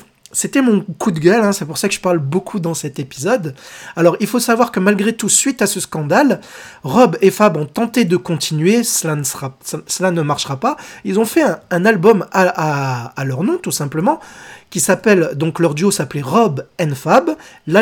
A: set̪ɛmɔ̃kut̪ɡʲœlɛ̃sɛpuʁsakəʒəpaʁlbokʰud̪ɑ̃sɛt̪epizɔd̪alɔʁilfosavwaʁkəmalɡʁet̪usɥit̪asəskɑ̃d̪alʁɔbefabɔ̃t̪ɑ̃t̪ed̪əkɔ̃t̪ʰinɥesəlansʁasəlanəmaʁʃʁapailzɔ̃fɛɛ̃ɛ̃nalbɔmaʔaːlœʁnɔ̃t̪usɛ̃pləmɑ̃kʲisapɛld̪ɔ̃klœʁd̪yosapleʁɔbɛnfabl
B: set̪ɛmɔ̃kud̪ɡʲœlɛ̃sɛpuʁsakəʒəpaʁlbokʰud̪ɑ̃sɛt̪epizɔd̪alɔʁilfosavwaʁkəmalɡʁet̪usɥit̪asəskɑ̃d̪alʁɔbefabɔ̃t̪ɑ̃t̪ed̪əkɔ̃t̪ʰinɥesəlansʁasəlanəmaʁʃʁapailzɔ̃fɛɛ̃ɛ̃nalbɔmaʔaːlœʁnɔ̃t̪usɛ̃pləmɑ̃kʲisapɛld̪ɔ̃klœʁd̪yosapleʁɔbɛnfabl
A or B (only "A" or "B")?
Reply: B